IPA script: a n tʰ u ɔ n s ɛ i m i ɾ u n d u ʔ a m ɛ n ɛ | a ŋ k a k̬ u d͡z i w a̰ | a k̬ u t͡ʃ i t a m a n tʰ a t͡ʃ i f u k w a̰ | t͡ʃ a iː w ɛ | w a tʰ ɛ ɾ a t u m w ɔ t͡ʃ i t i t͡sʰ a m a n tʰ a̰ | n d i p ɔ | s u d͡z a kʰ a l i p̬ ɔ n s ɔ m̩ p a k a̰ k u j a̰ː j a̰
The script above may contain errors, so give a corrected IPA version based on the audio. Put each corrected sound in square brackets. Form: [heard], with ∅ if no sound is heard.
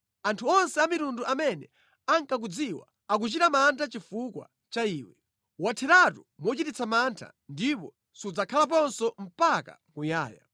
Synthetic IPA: a n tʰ u ɔ n s ɛ [a] m i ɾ u n d u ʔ a m ɛ n ɛ | a ŋ k a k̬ u d͡z i w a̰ | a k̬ u t͡ʃ i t a m a n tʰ a t͡ʃ i f u k w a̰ | t͡ʃ a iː w ɛ | w a tʰ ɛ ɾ a t u m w ɔ t͡ʃ i t i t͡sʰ a m a n tʰ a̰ | n d i p ɔ | s u d͡z a kʰ a l [a] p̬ ɔ n s ɔ m̩ p a k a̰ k u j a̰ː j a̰